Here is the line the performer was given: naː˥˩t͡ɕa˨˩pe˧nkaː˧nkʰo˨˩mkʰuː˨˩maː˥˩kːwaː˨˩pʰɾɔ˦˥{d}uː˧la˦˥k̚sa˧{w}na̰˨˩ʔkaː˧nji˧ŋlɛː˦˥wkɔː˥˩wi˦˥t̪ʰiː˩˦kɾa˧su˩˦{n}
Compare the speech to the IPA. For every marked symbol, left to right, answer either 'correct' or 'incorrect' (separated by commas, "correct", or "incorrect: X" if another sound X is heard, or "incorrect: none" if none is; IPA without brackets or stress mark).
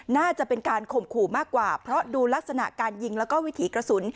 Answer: correct, incorrect: none, correct